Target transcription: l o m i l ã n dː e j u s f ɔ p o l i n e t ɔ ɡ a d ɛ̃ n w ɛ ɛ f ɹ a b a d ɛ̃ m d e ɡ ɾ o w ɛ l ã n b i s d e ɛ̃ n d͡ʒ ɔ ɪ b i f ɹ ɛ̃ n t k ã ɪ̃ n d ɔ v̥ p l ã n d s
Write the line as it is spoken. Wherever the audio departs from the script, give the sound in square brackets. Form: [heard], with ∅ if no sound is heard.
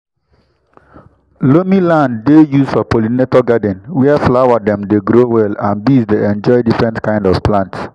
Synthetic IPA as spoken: l o m i l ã n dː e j u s f ɔ p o l i n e t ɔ ɡ a d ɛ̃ n w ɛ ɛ f [l] a [w] a d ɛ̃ m d e ɡ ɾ o w ɛ l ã n b i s d e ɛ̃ n d͡ʒ ɔ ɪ [d] i f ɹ ɛ̃ n t k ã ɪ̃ n d ɔ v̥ p l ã n [t] s